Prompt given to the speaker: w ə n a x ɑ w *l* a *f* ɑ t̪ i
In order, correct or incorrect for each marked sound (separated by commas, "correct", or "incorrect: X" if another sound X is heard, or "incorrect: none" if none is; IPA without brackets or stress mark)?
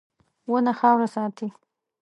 incorrect: ɾ, incorrect: s